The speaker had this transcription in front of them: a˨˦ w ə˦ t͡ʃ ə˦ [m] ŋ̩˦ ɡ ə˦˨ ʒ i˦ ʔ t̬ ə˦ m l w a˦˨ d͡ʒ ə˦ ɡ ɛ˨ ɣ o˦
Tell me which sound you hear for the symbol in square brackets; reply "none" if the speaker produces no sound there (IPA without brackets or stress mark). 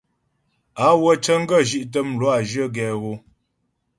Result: none